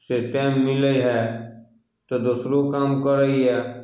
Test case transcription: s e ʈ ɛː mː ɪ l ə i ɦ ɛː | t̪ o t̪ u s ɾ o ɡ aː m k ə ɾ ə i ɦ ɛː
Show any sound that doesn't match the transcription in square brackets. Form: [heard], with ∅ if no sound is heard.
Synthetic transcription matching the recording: s e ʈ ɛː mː ɪ l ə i ɦ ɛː | t̪ o [d̪] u s ɾ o [k] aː m k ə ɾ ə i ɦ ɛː